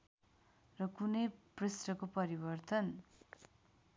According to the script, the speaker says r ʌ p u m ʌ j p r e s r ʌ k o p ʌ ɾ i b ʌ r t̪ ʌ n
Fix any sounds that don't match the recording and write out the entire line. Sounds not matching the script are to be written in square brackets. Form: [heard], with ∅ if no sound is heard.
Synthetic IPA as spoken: r ʌ [k] u [n] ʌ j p r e s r ʌ k o p ʌ ɾ i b ʌ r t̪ ʌ n